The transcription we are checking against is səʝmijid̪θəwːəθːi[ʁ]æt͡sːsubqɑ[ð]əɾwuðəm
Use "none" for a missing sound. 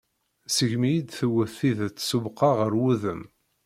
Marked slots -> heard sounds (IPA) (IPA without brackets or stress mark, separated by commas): ð, ʁ